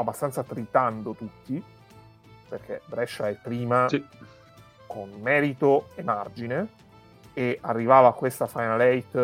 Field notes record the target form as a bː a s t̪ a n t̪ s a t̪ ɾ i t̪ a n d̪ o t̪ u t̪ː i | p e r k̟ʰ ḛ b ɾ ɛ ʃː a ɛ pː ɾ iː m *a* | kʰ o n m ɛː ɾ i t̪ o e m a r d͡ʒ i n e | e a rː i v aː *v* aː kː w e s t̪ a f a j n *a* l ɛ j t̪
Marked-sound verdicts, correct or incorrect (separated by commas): correct, correct, correct